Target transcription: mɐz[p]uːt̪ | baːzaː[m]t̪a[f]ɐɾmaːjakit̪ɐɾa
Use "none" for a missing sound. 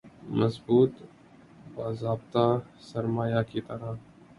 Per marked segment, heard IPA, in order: b, b, s

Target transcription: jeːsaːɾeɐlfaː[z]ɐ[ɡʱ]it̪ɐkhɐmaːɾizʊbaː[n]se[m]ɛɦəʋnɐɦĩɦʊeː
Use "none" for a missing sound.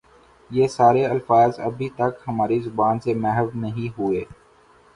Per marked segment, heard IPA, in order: z, bʱ, n, m

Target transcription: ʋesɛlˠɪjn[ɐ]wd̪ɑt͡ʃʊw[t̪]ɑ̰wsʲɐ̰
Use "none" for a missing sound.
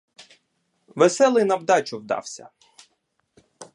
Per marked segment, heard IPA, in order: ɐ, d̪

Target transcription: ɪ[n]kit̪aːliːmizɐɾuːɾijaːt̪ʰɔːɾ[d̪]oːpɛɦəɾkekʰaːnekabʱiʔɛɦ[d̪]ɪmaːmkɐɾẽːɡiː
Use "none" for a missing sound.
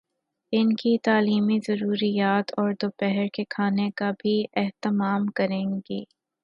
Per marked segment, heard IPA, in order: n, d̪, t̪

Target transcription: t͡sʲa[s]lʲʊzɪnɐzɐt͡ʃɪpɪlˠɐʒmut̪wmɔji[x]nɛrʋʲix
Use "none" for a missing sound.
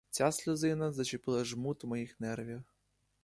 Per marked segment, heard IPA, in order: s, x

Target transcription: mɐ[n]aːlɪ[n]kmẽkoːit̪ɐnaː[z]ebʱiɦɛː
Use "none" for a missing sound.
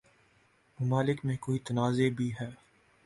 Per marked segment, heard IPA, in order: m, none, z

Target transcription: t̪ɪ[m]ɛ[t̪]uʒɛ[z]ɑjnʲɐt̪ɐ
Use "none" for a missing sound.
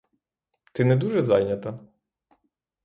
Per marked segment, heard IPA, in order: n, d̪, z

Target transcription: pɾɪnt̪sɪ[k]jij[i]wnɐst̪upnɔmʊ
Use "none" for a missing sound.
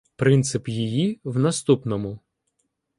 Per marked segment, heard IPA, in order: p, i

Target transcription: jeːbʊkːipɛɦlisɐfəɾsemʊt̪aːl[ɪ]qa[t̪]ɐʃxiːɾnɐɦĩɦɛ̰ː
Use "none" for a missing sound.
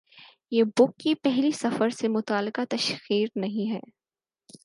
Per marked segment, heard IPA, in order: ɪ, t̪

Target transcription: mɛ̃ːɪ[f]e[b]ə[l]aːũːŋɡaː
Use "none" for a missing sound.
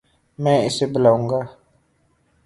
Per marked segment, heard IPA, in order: s, b, l

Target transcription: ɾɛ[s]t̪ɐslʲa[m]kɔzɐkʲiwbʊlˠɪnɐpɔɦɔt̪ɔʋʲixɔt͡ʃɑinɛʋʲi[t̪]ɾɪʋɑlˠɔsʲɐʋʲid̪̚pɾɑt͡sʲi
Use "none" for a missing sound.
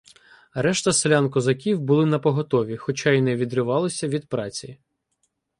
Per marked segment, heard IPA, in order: ʃ, n, d̪

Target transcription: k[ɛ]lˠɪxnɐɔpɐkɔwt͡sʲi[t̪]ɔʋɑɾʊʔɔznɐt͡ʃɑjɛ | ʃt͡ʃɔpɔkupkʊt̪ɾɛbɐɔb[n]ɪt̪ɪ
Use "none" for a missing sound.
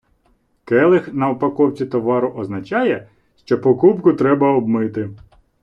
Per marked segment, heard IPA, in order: ɛ, t̪, m

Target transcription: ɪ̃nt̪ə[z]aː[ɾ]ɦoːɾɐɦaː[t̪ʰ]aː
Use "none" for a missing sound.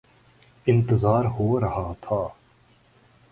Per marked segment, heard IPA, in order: z, ɾ, t̪ʰ

